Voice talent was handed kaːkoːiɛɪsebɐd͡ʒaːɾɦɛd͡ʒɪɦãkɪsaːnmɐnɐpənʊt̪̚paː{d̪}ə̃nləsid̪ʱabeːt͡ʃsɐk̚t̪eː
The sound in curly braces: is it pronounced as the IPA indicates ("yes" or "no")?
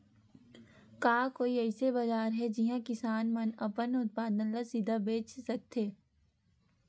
yes